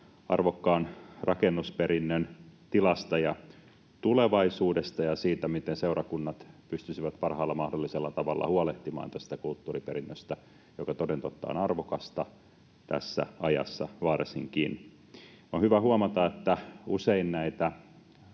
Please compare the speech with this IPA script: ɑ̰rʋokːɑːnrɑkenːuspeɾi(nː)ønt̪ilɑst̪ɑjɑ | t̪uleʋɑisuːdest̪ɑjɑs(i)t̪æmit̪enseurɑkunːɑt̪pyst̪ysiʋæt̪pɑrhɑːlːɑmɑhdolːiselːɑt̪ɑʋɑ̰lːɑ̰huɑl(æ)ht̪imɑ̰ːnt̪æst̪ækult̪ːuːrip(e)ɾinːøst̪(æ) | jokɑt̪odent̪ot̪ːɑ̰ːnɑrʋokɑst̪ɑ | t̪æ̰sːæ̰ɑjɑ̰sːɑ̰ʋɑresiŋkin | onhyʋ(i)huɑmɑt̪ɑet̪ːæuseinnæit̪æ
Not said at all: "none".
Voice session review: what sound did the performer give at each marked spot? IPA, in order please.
nː, iː, e, e, æ, æ

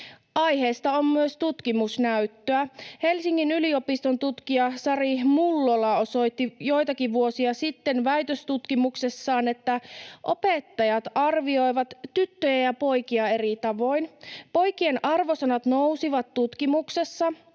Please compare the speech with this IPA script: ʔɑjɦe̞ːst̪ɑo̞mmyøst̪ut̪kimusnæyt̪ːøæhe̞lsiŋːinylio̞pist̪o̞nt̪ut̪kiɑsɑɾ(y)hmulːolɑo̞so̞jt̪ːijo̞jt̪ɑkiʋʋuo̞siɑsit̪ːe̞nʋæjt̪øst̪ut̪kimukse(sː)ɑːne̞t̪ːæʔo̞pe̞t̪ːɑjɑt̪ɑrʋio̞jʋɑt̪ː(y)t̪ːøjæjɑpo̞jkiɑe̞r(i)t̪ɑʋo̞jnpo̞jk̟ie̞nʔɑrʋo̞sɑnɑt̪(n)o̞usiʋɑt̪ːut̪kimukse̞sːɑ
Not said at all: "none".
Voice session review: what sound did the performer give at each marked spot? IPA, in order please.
i, sː, y, i, n

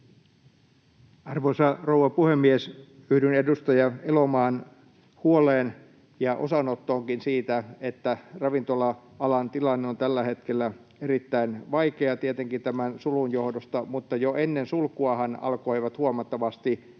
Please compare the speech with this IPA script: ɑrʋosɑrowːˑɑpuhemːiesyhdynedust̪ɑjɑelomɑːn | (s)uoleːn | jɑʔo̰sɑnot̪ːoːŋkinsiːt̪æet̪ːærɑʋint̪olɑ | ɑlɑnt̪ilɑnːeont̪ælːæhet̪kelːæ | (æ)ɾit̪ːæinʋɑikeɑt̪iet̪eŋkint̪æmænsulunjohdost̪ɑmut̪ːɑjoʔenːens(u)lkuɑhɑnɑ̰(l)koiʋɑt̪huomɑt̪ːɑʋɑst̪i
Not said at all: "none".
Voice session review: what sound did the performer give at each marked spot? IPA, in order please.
h, e, u, l

